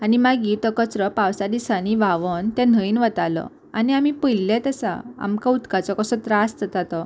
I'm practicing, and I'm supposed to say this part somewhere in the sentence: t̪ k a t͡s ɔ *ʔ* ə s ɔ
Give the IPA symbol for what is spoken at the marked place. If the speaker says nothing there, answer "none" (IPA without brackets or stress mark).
k